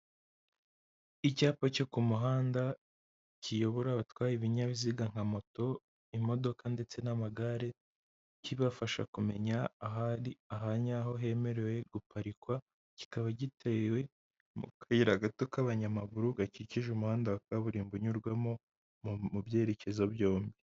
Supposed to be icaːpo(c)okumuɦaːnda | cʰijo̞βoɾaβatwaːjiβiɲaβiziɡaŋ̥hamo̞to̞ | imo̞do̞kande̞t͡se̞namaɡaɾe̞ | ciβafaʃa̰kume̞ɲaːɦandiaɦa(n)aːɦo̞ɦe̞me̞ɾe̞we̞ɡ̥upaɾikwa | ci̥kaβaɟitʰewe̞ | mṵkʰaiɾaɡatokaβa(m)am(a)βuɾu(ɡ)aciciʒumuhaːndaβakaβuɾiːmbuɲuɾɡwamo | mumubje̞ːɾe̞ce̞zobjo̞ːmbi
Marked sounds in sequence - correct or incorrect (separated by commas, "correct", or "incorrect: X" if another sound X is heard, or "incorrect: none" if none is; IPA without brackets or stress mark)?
correct, incorrect: ɲ, incorrect: ɲ, correct, correct